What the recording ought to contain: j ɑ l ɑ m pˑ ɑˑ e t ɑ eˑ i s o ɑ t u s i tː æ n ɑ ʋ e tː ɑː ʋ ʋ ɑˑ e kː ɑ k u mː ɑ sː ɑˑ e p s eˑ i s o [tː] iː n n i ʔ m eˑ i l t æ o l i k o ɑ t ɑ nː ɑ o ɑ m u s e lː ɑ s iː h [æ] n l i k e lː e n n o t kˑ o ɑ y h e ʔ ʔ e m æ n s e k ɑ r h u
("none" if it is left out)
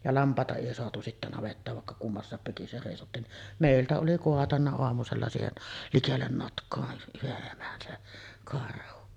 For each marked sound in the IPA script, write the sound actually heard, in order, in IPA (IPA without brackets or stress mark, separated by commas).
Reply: tː, e